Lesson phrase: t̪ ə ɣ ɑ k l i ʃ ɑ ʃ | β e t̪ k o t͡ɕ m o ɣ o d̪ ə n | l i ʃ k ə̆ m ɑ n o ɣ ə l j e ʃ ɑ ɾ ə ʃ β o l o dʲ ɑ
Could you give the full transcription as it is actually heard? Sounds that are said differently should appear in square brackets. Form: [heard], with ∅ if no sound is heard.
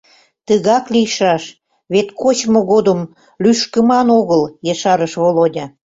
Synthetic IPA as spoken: t̪ ə ɣ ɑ k l i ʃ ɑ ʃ | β e t̪ k o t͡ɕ m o ɣ o d̪ ə [m] | l [y] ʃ k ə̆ m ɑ n o ɣ ə l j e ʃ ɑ ɾ ə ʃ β o l o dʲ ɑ